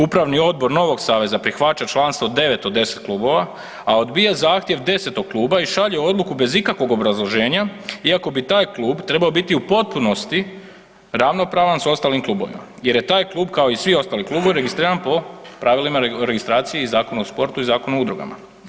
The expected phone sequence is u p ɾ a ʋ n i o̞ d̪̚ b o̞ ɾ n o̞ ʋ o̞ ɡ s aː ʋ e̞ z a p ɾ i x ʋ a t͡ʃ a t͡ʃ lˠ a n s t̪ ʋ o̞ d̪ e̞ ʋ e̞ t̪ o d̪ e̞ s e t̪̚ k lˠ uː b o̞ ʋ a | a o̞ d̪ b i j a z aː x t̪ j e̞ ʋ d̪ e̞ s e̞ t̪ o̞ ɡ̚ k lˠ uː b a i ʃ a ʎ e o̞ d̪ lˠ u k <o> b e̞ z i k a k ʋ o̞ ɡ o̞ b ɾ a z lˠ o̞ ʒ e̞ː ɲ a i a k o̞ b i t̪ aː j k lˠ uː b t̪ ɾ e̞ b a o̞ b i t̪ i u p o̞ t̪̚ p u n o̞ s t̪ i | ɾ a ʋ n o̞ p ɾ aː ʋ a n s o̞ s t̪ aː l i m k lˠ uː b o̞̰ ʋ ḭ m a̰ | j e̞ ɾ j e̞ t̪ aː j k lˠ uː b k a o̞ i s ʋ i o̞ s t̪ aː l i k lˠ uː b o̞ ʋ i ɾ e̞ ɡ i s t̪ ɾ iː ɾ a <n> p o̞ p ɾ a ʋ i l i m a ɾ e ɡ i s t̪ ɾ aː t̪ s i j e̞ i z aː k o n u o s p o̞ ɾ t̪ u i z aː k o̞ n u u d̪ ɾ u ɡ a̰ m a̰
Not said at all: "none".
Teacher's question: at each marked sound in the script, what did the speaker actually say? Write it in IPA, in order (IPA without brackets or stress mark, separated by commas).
u, n